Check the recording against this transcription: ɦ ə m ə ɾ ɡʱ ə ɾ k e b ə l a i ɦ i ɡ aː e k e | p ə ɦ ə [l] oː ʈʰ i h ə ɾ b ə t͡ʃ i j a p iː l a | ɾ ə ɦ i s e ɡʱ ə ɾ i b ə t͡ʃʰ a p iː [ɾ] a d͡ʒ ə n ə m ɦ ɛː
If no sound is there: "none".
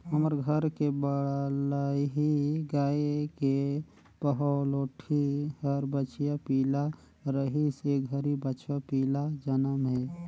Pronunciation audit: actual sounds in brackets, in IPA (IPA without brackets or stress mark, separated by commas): l, l